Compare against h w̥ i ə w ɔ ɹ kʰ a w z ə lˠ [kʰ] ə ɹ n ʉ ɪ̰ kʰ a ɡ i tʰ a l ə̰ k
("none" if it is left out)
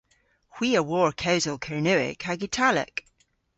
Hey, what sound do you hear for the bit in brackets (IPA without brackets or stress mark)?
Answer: kʰ